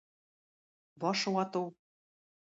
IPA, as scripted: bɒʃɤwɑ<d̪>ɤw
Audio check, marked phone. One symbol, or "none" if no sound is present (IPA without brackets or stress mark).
t̪